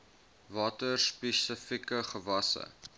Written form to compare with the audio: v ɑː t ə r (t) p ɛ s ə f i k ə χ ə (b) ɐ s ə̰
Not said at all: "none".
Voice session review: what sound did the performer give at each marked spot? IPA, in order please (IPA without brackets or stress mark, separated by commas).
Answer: s, v